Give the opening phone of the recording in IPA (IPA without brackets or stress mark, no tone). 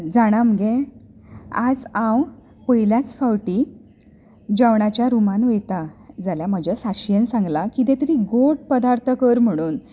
d͡z